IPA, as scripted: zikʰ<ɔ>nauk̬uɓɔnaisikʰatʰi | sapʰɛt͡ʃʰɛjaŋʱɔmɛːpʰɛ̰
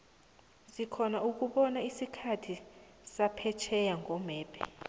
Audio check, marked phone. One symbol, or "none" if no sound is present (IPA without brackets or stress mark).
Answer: ɔ